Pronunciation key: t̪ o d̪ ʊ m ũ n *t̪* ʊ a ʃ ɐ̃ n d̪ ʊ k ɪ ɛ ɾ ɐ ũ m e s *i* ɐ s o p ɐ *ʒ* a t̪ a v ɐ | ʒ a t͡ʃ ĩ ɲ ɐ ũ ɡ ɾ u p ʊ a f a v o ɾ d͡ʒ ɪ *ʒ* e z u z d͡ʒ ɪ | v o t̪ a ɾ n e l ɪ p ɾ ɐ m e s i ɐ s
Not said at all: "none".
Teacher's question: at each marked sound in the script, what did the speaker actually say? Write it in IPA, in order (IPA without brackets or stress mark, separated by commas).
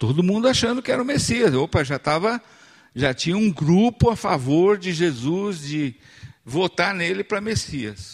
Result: d̪, i, ʒ, ʒ